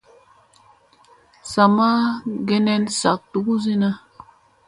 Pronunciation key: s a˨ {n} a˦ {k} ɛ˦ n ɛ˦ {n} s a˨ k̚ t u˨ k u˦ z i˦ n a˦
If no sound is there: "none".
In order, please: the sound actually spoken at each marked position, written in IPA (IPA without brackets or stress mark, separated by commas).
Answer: m, ɡ, n